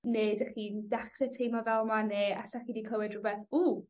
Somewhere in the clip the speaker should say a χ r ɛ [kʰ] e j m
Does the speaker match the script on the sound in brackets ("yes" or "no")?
no